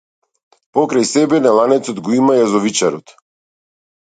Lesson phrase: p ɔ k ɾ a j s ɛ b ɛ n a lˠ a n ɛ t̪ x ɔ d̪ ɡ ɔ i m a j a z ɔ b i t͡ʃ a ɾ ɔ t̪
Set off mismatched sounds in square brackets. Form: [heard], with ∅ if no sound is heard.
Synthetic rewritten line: p ɔ k ɾ a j s ɛ b ɛ n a lˠ a n ɛ t̪ [s] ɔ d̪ ɡ ɔ i m a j a z ɔ [v] i t͡ʃ a ɾ ɔ t̪